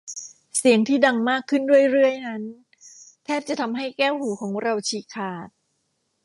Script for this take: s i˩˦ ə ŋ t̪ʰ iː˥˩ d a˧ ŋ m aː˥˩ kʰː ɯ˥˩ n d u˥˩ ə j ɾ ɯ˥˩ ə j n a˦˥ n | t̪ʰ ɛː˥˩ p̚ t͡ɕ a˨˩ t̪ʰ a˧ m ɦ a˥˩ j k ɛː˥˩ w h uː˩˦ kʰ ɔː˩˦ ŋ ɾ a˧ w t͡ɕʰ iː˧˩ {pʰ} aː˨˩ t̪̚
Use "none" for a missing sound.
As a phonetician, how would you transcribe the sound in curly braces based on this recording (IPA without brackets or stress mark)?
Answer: kʰ